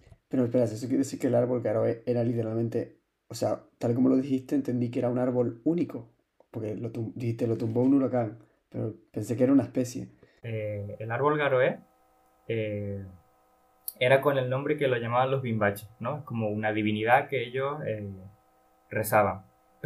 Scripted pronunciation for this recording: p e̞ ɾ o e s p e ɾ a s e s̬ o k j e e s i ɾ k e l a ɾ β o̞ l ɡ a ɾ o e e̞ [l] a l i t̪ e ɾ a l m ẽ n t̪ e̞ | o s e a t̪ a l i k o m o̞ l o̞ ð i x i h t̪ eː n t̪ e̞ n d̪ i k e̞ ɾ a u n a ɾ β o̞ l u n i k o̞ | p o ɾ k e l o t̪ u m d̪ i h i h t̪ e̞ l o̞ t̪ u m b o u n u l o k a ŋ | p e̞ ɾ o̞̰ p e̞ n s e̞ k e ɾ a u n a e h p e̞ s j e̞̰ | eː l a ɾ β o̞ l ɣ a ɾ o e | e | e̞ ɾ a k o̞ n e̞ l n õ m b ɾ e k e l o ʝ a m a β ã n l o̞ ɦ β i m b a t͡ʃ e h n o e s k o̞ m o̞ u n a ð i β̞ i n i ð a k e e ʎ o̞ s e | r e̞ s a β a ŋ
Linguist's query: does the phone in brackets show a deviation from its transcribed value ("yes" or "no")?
yes